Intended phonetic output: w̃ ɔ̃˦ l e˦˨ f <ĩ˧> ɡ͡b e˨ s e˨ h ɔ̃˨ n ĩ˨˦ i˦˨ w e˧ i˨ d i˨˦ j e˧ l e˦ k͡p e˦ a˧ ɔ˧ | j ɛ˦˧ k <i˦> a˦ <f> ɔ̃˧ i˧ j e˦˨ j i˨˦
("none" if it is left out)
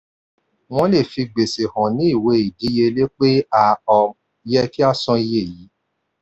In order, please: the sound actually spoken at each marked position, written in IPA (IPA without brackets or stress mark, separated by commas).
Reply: i˧, i˦, s